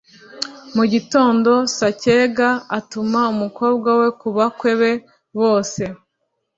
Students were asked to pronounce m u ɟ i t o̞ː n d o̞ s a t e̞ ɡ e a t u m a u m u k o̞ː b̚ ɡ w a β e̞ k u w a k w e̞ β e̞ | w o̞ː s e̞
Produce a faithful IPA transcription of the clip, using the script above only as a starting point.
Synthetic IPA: m u ɟ i t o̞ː n d o̞ s a c e̞ ɡ a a t u m a u m u k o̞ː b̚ ɡ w a w e̞ k u β a k w e̞ β e̞ | β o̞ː s e̞